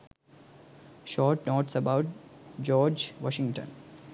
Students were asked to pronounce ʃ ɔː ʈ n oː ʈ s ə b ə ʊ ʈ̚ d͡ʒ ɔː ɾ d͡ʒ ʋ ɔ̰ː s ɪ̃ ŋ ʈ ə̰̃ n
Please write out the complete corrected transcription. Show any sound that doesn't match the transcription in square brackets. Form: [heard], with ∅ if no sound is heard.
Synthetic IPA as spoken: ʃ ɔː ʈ n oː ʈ s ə b [a] ʊ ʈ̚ d͡ʒ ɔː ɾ d͡ʒ ʋ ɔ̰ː [ʃ] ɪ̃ ŋ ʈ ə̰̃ n